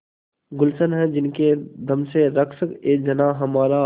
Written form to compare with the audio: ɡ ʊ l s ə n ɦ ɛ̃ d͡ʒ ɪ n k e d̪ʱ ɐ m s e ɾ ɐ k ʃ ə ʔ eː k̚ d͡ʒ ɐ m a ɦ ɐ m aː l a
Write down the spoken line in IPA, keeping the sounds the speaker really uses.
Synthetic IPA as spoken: ɡ ʊ l s ə n ɦ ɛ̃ d͡ʒ ɪ n k e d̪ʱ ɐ m s e ɾ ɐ k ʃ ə k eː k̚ d͡ʒ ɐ n a ɦ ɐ m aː ɾ a